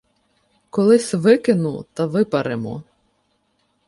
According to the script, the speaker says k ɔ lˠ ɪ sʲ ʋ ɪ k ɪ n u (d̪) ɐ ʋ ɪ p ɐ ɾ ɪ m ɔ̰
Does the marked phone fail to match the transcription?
yes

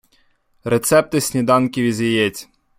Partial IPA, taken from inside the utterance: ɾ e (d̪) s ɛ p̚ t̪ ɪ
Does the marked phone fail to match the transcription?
yes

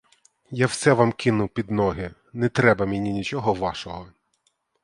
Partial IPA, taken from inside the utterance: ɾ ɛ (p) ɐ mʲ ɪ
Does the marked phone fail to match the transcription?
yes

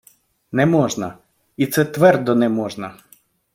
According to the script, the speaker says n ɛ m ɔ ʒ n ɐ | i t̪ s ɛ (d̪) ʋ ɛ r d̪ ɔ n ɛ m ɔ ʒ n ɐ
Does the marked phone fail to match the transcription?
yes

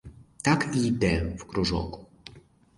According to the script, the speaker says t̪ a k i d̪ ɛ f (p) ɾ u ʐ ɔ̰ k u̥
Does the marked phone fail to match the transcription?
yes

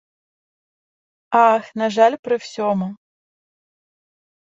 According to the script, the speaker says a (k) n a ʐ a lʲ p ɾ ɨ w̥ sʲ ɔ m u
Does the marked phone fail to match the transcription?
yes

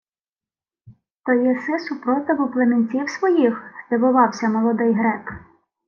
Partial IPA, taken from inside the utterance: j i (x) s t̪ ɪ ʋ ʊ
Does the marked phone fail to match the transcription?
no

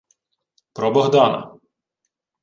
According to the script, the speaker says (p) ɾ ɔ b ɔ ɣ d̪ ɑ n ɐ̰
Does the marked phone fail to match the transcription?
no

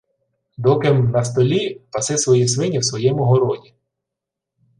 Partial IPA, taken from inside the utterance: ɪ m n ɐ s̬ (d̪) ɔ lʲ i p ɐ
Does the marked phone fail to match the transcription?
yes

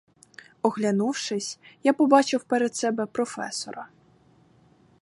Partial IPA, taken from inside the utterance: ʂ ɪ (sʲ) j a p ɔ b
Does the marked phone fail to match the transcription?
no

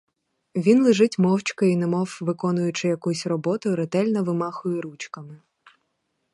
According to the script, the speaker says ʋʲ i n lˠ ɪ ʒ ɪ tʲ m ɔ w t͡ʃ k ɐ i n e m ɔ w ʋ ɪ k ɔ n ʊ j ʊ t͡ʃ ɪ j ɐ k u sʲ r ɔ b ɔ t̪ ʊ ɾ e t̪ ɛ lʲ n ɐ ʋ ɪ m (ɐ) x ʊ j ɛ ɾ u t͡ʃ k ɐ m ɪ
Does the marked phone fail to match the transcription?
yes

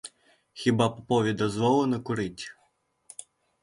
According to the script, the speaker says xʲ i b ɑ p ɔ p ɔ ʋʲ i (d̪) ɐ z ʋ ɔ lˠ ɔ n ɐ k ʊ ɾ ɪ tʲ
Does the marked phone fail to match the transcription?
no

